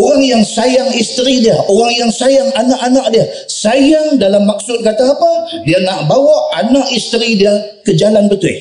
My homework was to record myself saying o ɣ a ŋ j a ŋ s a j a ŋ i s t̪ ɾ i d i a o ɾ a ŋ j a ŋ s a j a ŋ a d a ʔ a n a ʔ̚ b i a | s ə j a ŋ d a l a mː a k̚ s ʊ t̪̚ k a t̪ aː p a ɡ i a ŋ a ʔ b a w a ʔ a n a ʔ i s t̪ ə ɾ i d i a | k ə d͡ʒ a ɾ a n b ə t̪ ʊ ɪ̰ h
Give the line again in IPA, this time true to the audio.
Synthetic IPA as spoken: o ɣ a ŋ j a ŋ s a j a ŋ i s t̪ ɾ i d i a o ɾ a ŋ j a ŋ s a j a ŋ a n a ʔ a n a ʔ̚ d i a | s a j a ŋ d a l a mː a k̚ s ʊ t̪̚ k a t̪ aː p a d i a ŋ a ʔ b a w a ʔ a n a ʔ i s t̪ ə ɾ i d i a | k ə d͡ʒ a l a n b ə t̪ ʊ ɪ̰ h